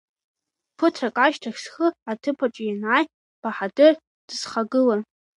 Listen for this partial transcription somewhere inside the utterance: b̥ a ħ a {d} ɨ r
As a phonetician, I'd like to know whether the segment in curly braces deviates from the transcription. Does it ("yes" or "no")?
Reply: no